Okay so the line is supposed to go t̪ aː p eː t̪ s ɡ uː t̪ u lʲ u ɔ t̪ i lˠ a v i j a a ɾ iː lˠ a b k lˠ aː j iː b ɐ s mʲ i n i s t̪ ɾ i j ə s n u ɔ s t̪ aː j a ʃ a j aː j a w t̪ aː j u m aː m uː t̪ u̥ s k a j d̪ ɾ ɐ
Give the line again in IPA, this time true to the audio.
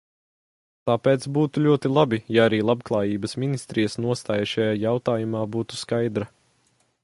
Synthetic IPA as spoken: t̪ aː p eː t̪ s b uː t̪ u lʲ u ɔ t̪ i lˠ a b i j a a ɾ iː lˠ a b k lˠ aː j iː b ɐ s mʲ i n i s t̪ ɾ i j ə s n u ɔ s t̪ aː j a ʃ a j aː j a w t̪ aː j u m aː b uː t̪ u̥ s k a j d̪ ɾ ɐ